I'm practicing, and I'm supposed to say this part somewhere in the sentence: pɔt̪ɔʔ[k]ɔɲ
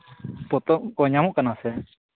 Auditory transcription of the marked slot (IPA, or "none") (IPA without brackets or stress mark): k